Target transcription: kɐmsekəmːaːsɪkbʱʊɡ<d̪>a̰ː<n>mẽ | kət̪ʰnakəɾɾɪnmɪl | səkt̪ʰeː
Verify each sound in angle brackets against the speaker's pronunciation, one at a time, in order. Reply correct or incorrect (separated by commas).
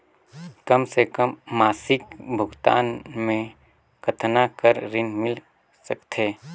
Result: incorrect, correct